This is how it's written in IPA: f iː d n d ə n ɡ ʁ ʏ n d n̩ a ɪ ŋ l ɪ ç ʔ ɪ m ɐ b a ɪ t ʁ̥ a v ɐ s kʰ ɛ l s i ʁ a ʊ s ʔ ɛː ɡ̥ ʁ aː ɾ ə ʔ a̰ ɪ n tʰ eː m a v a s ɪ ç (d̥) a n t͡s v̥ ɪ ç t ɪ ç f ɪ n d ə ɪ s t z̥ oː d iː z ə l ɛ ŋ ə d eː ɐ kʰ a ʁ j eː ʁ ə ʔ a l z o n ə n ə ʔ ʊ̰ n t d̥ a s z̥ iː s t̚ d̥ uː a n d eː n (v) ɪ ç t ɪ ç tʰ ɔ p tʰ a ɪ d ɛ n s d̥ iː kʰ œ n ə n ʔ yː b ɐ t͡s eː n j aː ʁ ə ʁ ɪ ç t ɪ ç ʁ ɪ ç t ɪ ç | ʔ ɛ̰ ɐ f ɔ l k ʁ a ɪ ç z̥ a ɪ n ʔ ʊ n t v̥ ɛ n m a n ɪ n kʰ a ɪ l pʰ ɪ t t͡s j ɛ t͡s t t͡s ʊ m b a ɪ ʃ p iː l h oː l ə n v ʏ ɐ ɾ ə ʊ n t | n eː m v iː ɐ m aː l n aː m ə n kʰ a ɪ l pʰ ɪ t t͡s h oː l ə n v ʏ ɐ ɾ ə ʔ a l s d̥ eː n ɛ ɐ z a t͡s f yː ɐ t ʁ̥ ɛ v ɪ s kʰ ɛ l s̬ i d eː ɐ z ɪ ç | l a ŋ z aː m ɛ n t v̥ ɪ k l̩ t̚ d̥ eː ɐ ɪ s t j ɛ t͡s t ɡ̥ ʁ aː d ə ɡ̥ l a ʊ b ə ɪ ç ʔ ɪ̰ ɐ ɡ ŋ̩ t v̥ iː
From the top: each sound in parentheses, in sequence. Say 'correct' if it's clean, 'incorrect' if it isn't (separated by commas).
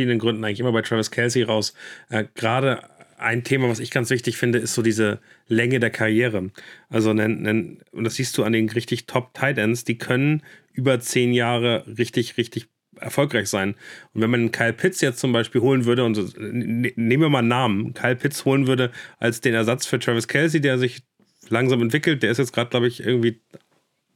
incorrect, incorrect